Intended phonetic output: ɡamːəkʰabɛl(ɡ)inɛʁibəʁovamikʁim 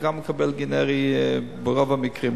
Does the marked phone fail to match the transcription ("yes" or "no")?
no